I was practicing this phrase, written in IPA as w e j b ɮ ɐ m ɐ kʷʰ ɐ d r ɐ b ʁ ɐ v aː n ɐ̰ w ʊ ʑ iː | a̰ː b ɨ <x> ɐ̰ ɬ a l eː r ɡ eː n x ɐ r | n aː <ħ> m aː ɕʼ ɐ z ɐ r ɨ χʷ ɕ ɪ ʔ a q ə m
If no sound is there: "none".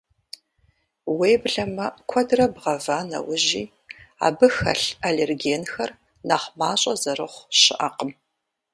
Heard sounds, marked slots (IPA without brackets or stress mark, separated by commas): x, χ